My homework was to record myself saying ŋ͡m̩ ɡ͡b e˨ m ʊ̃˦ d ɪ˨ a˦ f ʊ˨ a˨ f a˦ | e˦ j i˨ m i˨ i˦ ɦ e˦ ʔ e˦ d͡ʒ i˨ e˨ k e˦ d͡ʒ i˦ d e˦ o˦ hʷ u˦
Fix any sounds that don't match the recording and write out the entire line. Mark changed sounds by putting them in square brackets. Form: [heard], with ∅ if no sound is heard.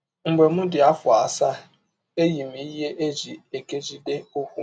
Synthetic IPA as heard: ŋ͡m̩ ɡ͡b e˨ m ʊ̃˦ d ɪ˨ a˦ f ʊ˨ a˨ [s] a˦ | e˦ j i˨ m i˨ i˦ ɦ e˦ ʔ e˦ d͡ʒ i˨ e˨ k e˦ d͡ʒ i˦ d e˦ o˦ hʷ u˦